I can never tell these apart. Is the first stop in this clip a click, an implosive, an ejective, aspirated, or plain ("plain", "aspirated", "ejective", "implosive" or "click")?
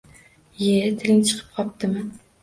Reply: aspirated